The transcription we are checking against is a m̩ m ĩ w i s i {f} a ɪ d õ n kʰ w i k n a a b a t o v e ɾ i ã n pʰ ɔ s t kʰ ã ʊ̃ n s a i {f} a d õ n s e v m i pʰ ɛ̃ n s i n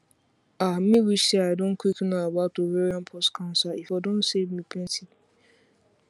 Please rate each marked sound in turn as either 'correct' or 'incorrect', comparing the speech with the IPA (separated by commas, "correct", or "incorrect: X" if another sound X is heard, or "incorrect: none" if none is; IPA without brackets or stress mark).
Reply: incorrect: none, correct